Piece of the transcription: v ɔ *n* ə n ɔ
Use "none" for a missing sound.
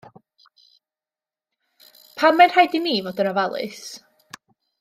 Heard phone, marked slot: d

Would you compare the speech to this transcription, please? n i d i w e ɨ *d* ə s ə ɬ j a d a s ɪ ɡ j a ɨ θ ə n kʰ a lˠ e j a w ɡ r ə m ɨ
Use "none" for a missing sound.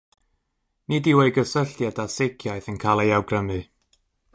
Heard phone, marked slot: ɡ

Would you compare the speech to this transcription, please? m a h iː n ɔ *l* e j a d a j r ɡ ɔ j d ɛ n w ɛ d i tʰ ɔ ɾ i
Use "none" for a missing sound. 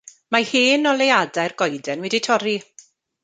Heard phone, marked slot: l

